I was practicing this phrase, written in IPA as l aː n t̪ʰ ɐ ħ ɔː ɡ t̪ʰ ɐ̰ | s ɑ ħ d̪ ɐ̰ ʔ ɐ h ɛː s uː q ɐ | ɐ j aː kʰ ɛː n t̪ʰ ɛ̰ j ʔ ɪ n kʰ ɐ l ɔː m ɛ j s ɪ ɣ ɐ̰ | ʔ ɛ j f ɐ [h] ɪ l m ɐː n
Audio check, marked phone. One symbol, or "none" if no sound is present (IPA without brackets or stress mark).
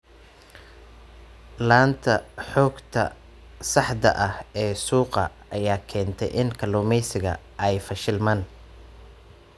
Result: ʃ